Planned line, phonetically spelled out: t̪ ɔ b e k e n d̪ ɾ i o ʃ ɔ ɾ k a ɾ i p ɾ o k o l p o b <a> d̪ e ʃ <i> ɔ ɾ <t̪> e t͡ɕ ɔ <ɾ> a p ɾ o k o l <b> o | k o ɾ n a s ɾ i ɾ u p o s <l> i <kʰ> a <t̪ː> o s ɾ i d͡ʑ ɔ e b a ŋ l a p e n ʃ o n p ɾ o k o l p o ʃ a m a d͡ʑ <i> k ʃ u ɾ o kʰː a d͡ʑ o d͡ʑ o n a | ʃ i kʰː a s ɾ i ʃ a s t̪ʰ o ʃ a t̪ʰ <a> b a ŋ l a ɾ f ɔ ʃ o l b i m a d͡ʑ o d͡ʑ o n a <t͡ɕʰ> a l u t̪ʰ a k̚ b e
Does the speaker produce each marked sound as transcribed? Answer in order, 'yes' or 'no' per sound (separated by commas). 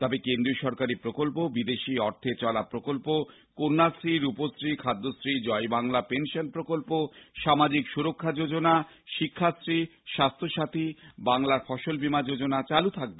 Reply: no, yes, no, no, no, no, yes, no, yes, no, no